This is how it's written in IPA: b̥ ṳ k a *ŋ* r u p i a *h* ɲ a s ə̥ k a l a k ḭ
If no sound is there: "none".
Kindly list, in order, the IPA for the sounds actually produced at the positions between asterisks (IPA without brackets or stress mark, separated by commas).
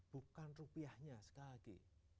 n, h